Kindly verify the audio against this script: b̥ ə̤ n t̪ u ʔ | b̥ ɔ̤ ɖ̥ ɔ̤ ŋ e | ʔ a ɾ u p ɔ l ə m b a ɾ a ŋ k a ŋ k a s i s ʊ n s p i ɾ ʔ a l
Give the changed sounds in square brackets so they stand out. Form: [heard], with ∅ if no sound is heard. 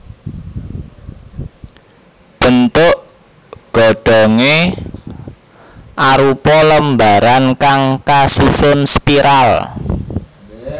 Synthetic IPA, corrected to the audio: b̥ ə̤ n t̪ [ʊ] ʔ | [ɡ̥] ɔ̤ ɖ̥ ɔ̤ ŋ e | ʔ a ɾ u p ɔ l ə m b a ɾ a [n] k a ŋ k a s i s ʊ n s p i ɾ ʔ a l